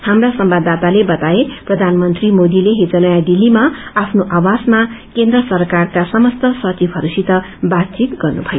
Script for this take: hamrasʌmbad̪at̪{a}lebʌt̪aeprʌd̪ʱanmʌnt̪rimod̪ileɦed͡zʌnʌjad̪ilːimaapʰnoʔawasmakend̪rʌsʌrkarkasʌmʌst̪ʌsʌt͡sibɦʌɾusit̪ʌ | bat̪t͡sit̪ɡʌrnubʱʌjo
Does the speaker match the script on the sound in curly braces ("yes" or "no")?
yes